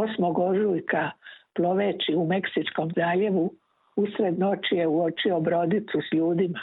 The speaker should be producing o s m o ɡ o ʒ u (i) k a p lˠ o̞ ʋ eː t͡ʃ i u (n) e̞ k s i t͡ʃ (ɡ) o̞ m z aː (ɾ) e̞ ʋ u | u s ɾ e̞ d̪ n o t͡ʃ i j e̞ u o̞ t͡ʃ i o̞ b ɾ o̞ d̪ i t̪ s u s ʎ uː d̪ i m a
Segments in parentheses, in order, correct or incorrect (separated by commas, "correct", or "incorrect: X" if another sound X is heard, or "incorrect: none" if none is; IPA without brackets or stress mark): incorrect: j, incorrect: m, incorrect: k, incorrect: ʎ